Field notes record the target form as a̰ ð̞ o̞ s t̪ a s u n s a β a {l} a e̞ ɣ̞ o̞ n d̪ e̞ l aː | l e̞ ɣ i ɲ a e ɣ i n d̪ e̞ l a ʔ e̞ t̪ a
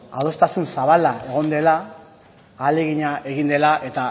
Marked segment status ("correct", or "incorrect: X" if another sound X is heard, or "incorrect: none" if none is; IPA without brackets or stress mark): correct